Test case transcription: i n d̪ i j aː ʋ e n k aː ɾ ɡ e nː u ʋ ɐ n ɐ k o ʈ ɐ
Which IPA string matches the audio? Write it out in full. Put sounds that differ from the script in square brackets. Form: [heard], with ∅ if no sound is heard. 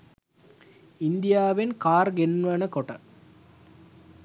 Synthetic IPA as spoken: i n d̪ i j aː ʋ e n k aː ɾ ɡ e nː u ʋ ɐ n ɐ k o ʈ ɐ